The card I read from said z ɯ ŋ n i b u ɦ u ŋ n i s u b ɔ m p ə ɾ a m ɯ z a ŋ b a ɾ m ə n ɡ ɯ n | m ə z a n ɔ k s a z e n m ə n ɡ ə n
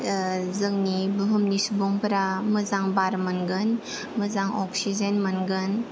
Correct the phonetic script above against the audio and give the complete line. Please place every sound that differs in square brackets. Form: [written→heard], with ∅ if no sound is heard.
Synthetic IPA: z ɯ ŋ n i b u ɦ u [ŋ→m] n i s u b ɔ [m→ŋ] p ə ɾ a m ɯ z a ŋ b a ɾ m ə n ɡ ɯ n | m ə z a [n→ŋ] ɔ k s [a→i] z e n m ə n ɡ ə n